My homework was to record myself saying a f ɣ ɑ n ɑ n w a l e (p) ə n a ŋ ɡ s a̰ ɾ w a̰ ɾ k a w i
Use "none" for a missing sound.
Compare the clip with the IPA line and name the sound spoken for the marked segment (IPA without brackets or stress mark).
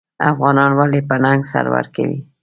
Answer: p